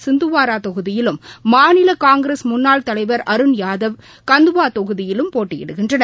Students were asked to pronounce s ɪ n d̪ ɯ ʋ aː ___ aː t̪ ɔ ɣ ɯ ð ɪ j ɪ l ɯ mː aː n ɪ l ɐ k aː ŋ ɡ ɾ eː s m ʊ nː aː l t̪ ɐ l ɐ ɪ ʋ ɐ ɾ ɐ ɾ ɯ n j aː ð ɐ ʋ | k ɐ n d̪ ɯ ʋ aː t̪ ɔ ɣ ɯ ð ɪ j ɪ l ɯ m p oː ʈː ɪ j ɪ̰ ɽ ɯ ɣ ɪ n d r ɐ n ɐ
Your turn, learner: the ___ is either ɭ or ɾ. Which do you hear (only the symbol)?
ɾ